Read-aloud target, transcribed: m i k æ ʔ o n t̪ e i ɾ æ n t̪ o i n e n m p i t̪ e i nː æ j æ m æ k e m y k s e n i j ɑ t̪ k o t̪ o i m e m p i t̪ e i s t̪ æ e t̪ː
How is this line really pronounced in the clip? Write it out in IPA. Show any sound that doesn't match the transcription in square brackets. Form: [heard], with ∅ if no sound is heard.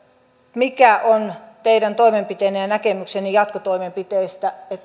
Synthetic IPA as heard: m i k æ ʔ o n t̪ e i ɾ æ n t̪ o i [m] e [∅] m p i t̪ e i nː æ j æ [n] æ k e m y k s e n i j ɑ t̪ k o t̪ o i m e m p i t̪ e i s t̪ æ e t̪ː